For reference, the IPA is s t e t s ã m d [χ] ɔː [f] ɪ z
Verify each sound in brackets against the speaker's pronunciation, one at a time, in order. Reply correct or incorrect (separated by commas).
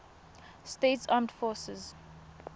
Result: incorrect, incorrect